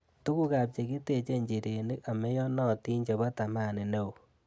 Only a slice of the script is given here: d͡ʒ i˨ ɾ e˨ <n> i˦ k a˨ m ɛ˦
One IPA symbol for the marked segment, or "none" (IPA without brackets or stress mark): n